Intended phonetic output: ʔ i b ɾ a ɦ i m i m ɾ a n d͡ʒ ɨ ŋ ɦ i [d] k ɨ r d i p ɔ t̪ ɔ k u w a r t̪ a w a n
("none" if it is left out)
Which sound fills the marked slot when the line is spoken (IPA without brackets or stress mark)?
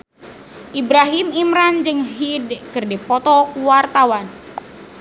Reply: d